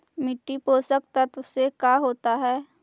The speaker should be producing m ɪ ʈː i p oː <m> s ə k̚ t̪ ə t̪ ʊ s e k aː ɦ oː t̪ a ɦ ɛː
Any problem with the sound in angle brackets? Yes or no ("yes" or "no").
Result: yes